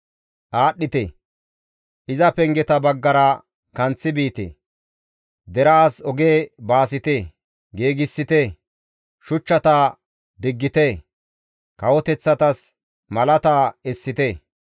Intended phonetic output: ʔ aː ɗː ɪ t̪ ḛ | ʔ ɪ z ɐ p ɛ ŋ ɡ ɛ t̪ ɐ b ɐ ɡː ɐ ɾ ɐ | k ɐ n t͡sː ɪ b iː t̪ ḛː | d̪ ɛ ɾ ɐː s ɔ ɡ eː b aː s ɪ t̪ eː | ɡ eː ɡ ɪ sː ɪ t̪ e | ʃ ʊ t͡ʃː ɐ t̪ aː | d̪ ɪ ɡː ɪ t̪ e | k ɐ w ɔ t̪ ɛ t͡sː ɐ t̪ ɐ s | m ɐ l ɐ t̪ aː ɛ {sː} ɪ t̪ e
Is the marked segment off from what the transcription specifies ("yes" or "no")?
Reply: no